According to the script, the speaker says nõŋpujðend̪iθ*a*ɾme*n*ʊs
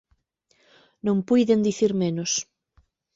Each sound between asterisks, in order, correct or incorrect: incorrect: i, correct

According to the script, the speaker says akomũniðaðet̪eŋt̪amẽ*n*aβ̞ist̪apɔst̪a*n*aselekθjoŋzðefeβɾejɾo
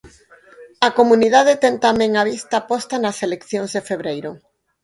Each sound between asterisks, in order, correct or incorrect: incorrect: ŋ, correct

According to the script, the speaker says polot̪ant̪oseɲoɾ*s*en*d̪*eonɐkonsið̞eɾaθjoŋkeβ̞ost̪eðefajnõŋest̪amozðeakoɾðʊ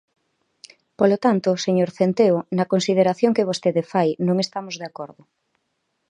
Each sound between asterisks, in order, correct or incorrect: incorrect: θ, incorrect: t̪

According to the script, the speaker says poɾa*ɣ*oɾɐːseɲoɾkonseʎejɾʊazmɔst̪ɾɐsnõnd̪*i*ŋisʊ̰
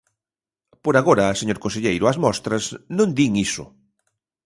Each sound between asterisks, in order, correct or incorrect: correct, correct

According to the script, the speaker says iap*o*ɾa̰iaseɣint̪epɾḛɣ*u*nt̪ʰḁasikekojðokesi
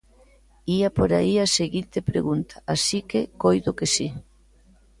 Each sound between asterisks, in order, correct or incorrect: correct, correct

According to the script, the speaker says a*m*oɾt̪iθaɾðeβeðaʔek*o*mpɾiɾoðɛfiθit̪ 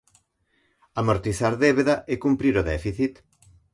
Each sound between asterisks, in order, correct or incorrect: correct, incorrect: u

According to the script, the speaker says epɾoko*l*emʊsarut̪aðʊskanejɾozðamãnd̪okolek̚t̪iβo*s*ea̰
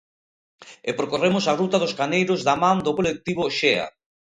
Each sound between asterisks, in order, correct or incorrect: incorrect: r, incorrect: ʃ

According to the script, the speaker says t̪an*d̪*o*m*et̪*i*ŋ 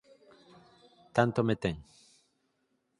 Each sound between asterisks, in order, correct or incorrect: incorrect: t̪, correct, incorrect: e

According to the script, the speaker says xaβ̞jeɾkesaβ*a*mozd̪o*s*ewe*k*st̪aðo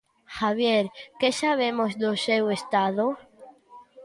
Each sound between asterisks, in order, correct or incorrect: incorrect: e, correct, incorrect: none

